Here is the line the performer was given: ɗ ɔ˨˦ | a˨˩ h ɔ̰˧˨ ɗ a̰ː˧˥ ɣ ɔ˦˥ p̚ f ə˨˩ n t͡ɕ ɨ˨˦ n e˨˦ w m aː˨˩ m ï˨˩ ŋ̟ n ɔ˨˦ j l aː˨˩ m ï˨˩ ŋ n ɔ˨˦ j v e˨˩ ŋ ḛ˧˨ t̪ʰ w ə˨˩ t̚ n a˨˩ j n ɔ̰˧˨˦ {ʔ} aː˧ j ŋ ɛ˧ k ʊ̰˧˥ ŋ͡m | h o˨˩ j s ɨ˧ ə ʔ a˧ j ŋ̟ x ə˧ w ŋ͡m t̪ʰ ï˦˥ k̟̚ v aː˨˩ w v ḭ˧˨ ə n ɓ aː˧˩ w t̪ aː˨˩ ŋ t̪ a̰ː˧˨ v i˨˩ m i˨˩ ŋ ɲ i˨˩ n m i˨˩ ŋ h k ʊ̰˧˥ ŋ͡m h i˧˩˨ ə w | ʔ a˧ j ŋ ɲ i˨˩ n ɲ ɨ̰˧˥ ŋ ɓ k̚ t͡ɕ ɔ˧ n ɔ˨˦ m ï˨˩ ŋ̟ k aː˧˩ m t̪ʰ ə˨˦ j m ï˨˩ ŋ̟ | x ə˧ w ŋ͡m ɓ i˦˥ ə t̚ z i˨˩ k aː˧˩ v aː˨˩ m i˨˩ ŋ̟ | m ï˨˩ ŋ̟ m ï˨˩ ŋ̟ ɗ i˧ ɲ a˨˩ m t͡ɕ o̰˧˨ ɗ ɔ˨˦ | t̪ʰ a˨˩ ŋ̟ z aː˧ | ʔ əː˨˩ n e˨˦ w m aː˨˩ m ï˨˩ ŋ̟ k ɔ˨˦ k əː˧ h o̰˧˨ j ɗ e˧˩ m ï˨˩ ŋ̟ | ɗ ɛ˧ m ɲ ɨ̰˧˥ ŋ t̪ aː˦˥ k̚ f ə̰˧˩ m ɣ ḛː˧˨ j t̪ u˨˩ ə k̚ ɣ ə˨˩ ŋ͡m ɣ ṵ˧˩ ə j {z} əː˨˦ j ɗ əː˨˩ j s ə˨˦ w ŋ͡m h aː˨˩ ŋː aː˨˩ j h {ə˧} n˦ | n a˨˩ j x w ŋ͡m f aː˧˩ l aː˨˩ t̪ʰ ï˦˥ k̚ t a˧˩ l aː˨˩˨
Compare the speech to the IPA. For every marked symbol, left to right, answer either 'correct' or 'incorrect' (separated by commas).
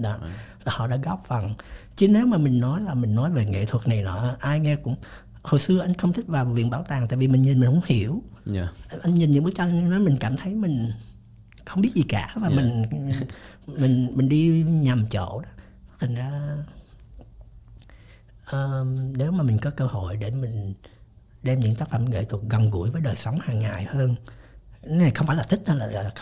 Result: correct, incorrect, incorrect